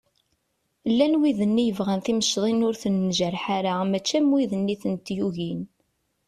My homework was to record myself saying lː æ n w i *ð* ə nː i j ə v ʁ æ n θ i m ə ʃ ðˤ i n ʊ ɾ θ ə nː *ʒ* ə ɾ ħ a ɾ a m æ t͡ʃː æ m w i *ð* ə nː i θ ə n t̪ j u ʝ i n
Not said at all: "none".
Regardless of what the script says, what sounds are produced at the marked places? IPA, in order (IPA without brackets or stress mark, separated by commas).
ð, ʒ, ð